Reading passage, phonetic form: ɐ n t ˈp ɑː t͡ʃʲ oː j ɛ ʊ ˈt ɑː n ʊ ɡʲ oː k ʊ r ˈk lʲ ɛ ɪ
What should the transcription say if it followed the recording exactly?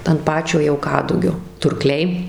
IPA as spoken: ɐ n t ˈp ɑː t͡ʃʲ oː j ɛ ʊ ˈk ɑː d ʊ ɡʲ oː t ʊ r ˈk lʲ ɛ ɪ